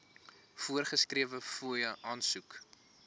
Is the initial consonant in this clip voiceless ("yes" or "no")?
yes